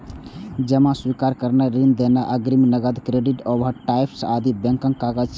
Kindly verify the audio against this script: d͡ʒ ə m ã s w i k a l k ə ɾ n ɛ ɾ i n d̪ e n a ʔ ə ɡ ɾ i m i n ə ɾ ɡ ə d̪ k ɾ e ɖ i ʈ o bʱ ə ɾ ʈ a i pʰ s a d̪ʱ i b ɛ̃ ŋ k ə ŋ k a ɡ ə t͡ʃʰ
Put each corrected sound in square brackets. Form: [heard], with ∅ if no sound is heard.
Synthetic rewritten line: d͡ʒ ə m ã s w i k a [ɾ] k ə ɾ n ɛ ɾ i n d̪ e n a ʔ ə ɡ ɾ i m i n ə [∅] ɡ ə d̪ k ɾ e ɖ i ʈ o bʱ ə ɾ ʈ a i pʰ s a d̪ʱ i b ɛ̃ ŋ k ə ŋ k a ɡ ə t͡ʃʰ